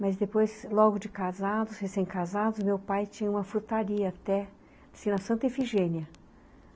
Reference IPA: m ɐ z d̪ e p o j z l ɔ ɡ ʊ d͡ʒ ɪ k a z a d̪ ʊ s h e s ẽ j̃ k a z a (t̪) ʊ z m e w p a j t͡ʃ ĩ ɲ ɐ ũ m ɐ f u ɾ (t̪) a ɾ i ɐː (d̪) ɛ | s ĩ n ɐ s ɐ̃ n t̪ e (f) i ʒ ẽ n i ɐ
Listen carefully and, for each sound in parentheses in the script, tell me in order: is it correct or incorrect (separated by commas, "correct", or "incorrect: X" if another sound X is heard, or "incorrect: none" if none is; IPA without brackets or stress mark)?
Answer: incorrect: d̪, correct, incorrect: t̪, correct